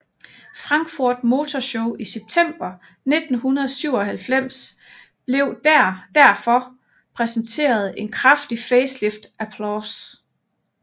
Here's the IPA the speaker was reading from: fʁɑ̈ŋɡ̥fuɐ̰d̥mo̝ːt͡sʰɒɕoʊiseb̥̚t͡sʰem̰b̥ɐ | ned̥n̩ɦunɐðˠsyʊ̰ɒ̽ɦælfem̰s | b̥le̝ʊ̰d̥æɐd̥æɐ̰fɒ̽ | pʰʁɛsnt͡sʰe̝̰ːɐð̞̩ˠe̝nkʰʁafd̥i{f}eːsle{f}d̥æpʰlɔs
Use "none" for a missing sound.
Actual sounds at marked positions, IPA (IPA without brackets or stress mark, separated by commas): f, f